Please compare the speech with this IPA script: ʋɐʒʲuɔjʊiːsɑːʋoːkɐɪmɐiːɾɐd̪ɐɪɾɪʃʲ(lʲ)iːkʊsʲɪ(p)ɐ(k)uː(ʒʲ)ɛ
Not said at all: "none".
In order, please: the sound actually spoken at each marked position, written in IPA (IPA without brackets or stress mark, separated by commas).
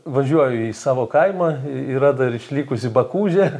lʲ, b, k, ʒʲ